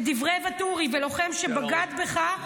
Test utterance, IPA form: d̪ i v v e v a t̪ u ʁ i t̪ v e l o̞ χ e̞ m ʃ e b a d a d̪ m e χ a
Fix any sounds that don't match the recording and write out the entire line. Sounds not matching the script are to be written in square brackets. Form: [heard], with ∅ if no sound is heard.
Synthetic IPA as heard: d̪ i v [ʁ] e v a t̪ u ʁ i [∅] v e l o̞ χ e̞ m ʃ e b a [ɡ] a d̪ [b] e χ a